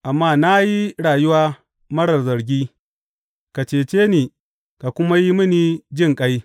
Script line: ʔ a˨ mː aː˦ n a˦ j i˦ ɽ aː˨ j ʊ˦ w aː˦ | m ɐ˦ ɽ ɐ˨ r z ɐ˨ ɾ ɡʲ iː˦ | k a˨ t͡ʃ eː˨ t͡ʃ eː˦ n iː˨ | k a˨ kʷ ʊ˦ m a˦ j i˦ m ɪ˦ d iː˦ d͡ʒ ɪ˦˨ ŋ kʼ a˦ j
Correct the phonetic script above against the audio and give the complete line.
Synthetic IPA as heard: ʔ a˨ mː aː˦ n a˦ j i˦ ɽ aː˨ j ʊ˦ w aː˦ | m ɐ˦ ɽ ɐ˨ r z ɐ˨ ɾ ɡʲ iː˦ | k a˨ t͡ʃ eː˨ t͡ʃ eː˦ n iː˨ | k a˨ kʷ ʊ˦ m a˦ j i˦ m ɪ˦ n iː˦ d͡ʒ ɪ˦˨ ŋ kʼ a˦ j